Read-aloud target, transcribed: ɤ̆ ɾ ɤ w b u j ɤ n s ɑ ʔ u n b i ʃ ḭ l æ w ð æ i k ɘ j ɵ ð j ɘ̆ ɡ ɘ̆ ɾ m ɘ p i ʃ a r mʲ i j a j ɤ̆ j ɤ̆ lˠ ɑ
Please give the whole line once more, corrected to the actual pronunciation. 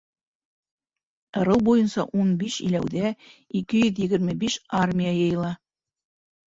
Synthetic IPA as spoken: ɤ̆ ɾ ɤ w b u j ɤ n s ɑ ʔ u n b i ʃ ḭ l æ w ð æ i k ɘ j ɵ ð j ɘ̆ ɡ ɘ̆ ɾ m ɘ b i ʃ a r mʲ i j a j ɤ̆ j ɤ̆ lˠ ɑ